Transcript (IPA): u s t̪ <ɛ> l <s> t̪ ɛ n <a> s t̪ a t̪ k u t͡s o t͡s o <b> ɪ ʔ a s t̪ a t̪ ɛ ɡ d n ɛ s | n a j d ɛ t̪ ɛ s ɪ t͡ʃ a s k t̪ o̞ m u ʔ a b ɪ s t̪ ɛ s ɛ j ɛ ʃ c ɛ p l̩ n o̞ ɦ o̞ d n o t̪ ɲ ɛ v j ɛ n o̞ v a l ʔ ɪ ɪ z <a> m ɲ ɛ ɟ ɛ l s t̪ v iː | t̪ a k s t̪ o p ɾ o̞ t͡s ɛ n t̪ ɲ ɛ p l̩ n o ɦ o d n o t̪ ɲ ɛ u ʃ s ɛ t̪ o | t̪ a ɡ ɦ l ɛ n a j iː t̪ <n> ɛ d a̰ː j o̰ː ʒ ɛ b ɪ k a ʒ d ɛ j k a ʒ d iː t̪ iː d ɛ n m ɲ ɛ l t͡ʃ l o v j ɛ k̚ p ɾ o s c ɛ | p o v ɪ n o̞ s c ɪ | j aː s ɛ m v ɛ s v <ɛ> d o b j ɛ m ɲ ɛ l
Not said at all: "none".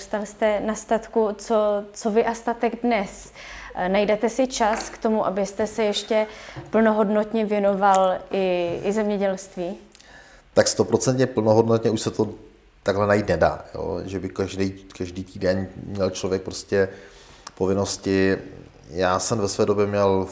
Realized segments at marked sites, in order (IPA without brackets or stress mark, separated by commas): a, s, a, v, ɛ, n, ɛː